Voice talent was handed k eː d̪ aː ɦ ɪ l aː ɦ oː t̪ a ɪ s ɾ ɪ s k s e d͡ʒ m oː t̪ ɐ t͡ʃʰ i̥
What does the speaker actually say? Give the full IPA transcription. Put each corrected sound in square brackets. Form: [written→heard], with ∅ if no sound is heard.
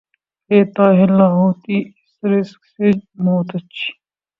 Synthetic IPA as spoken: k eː [d̪→t̪] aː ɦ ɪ l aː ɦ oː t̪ [a→i] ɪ s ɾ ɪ s k s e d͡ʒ m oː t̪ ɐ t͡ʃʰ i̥